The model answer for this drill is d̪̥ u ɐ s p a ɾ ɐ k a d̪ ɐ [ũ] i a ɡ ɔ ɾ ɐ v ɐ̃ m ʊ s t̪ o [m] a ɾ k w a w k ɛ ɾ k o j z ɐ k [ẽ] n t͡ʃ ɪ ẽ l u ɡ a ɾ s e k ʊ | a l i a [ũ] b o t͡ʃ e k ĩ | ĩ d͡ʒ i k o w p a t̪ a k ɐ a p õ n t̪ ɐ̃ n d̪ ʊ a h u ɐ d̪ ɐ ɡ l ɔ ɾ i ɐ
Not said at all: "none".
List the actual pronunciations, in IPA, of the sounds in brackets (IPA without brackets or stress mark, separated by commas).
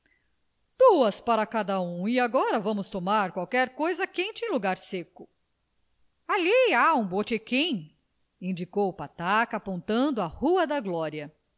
ũ, m, ẽ, ũ